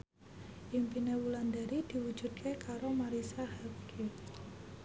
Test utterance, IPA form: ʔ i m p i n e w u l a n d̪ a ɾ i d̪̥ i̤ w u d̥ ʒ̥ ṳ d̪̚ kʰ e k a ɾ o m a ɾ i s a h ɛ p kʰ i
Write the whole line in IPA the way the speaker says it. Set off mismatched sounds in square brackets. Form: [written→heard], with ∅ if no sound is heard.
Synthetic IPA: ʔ i m p i n e w u l a n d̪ a ɾ i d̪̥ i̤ w u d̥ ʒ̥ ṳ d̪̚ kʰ e k a ɾ o m a ɾ i s a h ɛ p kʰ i